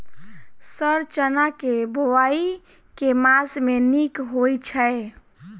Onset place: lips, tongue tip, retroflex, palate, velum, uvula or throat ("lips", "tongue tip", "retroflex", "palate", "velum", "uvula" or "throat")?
tongue tip